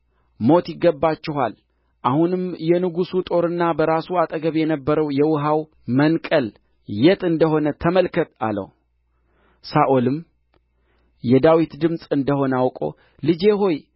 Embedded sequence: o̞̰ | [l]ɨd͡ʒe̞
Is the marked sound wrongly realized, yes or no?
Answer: no